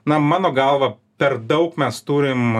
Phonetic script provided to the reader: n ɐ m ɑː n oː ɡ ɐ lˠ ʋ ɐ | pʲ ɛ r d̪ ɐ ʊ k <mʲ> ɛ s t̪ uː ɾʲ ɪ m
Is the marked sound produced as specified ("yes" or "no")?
yes